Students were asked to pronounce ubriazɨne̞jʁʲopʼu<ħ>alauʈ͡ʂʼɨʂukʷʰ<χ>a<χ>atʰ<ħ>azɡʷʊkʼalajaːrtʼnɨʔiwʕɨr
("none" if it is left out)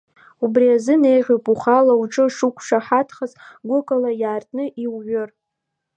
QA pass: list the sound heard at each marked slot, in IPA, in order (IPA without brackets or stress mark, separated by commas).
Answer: χ, ʂ, ħ, χ